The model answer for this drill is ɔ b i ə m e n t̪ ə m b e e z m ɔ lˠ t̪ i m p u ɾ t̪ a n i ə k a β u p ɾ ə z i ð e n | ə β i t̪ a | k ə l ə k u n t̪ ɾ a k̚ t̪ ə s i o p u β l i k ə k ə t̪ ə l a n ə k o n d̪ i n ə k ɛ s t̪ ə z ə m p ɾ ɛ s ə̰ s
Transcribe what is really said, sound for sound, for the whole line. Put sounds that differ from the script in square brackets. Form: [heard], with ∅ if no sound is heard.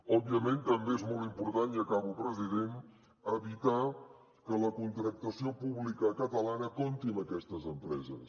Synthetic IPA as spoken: ɔ b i ə m e n t̪ ə m b e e z m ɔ lˠ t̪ i m p u ɾ t̪ a n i ə k a β u p ɾ ə z i ð e n | ə β i t̪ a | k ə l ə k u n t̪ ɾ [ə] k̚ t̪ ə s i o p u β l i k ə k ə t̪ ə l a n ə k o n [t̪] i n ə k ɛ s t̪ ə z ə m p ɾ ɛ [z] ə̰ s